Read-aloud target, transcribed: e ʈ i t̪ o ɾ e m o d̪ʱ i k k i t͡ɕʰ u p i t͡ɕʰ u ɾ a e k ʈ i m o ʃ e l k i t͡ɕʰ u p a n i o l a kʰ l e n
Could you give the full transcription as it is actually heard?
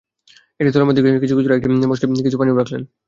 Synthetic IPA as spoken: e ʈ i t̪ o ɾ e m o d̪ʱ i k k i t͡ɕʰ u k i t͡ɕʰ u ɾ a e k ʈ i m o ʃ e k i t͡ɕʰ u p a n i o ɾ a kʰ l e n